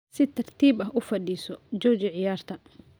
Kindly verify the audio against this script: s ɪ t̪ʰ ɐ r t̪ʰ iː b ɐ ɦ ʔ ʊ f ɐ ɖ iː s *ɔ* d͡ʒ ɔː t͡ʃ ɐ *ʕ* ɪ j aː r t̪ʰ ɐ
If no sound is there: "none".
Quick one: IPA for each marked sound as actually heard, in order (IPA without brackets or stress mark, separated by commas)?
ɔ, ʕ